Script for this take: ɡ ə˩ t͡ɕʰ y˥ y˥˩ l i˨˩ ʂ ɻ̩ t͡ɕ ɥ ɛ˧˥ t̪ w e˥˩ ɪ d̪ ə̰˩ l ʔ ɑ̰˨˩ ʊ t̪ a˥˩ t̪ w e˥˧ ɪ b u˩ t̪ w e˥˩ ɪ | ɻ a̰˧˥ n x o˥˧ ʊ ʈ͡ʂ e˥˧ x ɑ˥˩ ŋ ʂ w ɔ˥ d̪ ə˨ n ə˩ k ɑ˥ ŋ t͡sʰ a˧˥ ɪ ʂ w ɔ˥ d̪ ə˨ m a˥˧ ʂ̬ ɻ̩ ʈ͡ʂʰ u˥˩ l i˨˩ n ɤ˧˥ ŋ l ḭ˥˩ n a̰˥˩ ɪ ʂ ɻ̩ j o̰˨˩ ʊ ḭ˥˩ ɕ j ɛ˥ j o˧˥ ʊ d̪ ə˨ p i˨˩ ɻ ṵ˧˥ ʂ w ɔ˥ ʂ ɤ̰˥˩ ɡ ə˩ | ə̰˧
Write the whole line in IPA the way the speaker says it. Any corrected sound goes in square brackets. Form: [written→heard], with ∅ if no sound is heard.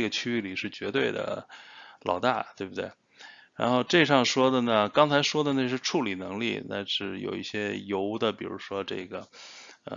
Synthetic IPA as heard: ɡ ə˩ t͡ɕʰ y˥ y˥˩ l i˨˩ ʂ ɻ̩ t͡ɕ ɥ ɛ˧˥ t̪ w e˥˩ ɪ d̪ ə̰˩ l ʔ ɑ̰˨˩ ʊ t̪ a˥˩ t̪ w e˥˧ ɪ b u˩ t̪ w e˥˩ ɪ | ɻ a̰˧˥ n x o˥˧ ʊ ʈ͡ʂ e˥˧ [x→ʂ] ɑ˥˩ ŋ ʂ w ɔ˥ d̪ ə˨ n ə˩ k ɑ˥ ŋ t͡sʰ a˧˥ ɪ ʂ w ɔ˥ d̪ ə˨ [m→n] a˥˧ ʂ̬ ɻ̩ ʈ͡ʂʰ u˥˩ l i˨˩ n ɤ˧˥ ŋ l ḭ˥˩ n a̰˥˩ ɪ ʂ ɻ̩ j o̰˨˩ ʊ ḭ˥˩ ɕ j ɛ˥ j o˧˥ ʊ d̪ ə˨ p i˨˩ ɻ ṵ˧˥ ʂ w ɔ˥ [ʂ→ʈ͡ʂ] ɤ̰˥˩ ɡ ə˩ | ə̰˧